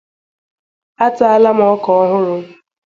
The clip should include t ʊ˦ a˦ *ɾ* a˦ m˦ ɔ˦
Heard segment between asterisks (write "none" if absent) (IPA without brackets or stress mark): l